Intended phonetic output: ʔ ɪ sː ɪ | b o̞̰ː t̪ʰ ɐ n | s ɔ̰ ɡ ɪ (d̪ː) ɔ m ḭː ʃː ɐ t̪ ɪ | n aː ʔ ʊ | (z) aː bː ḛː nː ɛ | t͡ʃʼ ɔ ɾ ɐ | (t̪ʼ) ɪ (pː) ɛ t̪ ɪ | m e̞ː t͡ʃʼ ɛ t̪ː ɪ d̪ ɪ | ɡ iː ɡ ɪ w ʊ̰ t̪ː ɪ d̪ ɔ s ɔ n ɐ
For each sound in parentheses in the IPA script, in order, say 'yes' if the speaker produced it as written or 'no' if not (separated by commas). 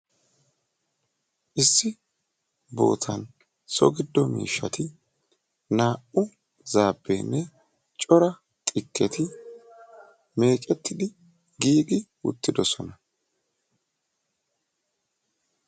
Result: yes, yes, yes, no